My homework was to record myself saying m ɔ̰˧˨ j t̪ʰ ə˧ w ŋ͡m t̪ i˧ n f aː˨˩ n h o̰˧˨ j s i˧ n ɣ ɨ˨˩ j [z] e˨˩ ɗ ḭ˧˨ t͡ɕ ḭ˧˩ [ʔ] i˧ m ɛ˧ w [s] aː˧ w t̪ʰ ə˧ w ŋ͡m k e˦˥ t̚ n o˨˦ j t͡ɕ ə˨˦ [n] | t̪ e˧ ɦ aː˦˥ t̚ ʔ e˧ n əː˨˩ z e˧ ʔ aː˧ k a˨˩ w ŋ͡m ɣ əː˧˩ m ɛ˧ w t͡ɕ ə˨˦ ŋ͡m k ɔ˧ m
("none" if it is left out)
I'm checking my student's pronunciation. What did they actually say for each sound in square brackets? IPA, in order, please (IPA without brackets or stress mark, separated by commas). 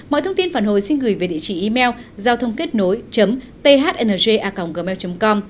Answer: v, ʔ, z, m